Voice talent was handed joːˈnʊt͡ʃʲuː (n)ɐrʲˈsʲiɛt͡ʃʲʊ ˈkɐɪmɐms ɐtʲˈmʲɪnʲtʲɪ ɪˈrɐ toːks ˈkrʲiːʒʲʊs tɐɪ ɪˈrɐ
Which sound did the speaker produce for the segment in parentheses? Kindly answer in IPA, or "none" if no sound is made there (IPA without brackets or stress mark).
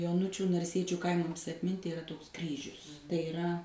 n